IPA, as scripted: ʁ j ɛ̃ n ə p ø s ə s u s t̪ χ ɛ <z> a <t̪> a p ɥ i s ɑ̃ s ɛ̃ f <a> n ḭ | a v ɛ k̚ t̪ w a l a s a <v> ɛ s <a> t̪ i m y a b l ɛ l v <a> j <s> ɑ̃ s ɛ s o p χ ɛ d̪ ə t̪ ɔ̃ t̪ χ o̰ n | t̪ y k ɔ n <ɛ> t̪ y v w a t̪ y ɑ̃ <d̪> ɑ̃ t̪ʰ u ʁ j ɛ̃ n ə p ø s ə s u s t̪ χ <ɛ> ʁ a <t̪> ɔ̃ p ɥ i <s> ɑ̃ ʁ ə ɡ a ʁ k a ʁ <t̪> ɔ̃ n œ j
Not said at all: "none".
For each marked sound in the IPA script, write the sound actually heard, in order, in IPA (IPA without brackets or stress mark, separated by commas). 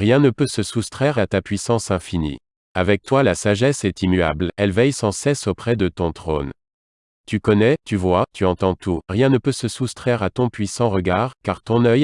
ʁ, t̪, i, ʒ, ɛ, ɛ, s, ɛ, t̪, ɛ, t̪, s, t̪